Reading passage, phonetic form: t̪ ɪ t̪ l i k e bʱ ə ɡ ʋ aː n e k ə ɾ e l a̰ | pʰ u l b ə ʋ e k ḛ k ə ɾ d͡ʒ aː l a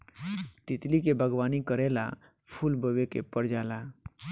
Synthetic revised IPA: t̪ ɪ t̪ l i k e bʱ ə ɡ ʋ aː n i k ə ɾ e l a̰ | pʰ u l b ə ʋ e k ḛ p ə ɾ d͡ʒ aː l a